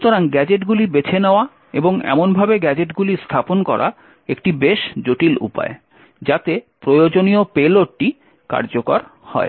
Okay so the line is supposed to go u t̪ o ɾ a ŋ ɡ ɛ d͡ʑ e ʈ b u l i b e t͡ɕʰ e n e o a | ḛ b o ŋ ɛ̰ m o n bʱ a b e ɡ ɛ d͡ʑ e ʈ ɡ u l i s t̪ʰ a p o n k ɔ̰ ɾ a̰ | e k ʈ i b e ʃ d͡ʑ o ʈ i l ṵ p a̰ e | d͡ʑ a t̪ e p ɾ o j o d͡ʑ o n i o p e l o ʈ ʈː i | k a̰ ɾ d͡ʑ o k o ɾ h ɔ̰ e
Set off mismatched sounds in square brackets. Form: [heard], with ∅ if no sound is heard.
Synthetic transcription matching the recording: u t̪ o ɾ a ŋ ɡ ɛ d͡ʑ e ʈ [ɡ] u l i b e t͡ɕʰ e n e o a | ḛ b o ŋ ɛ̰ m o n bʱ a b e ɡ ɛ d͡ʑ e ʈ ɡ u l i s t̪ʰ a p o n k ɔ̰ ɾ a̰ | e k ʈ i b e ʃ d͡ʑ o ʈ i l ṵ p a̰ e | d͡ʑ a t̪ e p ɾ o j o d͡ʑ o n i o p e l o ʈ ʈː i | k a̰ ɾ d͡ʑ o k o ɾ h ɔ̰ e

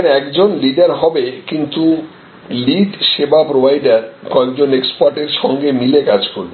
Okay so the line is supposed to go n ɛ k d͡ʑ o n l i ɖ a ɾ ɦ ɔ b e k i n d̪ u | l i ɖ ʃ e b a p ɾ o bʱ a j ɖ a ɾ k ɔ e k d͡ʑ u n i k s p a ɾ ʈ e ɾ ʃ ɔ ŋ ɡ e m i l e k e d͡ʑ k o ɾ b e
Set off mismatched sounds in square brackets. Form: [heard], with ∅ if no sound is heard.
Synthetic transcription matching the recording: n ɛ k d͡ʑ o n l i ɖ a ɾ ɦ ɔ b e k i n [t̪] u | l i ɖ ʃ e b a p ɾ o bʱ a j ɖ a ɾ k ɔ e k d͡ʑ [o] n [e] k s p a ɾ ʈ e ɾ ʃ ɔ ŋ ɡ e m i l e k [a] d͡ʑ k o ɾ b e

